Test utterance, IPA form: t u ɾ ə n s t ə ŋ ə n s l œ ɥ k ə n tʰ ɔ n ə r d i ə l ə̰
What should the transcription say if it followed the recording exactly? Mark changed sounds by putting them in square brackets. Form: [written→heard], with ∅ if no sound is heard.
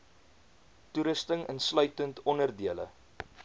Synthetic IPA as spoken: t u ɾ ə [n→∅] s t ə ŋ ə n s l œ ɥ [k→t] ə n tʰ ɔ n ə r d i ə l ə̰